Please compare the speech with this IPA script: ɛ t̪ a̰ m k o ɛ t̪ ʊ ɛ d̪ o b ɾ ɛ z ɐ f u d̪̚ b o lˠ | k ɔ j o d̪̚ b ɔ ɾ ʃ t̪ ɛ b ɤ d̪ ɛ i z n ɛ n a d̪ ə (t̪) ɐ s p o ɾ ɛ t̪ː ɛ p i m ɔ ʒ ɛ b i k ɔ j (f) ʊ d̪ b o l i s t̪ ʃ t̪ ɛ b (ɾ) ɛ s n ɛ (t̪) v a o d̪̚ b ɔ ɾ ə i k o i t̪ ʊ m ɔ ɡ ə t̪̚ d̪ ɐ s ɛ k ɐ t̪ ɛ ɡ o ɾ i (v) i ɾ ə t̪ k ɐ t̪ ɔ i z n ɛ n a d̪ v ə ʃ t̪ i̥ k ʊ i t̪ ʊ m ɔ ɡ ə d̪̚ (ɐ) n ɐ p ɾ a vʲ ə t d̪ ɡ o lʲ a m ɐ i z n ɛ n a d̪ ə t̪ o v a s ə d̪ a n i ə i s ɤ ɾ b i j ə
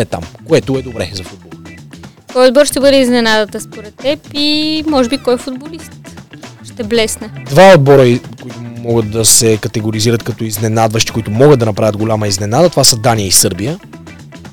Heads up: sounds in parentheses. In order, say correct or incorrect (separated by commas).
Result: correct, correct, incorrect, incorrect, incorrect, correct